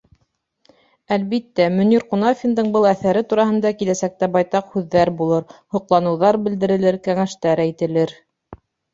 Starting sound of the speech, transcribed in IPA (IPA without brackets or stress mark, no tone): æ